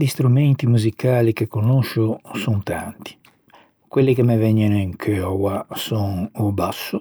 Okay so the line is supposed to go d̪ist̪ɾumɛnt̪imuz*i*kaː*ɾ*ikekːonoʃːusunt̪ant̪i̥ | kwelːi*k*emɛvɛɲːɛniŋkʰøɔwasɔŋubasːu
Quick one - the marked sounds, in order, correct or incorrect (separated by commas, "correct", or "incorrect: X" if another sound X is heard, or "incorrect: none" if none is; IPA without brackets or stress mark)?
correct, incorrect: l, correct